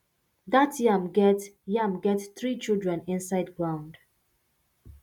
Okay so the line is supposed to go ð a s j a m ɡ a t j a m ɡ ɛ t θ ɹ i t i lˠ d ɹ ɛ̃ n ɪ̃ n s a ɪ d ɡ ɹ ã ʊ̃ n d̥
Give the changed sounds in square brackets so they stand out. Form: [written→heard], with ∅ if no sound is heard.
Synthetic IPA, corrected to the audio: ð a [s→t] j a m ɡ [a→ɛ] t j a m ɡ ɛ t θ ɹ i [t→t͡ʃ] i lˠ d ɹ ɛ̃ n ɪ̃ n s a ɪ d ɡ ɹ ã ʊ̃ n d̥